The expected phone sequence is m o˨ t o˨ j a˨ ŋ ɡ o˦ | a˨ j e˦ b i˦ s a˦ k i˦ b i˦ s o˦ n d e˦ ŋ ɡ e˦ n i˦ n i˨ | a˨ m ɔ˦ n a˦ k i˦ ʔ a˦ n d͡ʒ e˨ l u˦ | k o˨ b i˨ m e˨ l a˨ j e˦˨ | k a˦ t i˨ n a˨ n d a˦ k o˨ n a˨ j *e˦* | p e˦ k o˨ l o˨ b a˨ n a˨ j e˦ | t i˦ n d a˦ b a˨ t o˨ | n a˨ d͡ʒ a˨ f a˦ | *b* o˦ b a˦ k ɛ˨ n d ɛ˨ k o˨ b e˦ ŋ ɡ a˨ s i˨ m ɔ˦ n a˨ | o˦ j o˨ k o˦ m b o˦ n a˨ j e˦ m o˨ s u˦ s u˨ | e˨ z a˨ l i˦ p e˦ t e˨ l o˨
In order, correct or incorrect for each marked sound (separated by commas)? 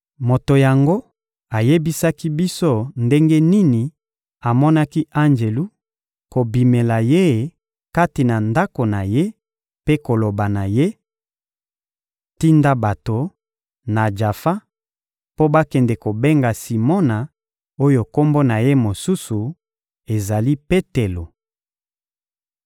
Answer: correct, incorrect